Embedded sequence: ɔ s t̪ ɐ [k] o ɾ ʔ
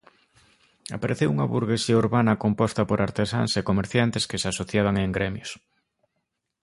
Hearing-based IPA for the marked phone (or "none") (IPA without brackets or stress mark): p